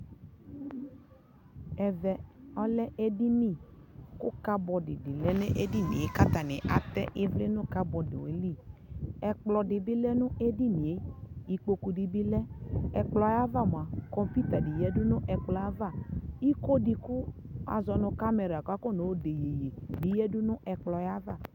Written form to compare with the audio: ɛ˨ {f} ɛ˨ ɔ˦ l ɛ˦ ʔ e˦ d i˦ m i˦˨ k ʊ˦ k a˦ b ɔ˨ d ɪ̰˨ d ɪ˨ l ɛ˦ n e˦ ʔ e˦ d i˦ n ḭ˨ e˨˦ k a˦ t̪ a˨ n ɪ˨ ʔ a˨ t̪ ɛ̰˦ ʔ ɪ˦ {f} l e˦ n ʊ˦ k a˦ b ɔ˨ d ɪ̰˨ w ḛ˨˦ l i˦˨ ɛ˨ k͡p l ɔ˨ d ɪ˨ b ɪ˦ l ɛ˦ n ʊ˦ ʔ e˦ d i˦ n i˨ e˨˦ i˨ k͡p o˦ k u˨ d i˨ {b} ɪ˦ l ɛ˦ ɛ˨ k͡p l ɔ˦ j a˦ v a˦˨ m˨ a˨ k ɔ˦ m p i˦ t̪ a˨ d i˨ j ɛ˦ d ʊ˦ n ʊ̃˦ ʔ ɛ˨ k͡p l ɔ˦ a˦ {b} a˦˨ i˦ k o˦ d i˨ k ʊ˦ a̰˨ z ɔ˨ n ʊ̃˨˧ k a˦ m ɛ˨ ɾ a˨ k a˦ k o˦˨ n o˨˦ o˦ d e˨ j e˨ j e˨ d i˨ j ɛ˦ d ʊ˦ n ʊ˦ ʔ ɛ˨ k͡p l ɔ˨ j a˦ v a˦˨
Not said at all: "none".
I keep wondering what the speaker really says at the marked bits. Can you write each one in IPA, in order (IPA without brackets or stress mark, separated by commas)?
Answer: v, v, b, v